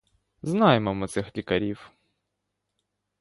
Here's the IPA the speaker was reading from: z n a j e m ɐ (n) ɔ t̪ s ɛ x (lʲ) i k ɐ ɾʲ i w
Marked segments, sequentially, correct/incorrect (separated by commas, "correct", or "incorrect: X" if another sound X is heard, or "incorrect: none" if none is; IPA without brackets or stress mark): incorrect: m, correct